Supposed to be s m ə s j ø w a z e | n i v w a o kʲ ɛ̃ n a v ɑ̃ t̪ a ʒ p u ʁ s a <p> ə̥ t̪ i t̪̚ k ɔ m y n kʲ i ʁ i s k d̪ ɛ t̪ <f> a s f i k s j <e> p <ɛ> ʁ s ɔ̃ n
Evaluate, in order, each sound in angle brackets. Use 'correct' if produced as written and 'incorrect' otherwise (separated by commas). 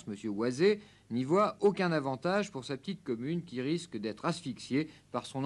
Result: correct, incorrect, correct, incorrect